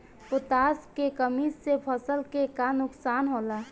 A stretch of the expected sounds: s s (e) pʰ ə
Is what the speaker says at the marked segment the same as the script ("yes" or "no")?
yes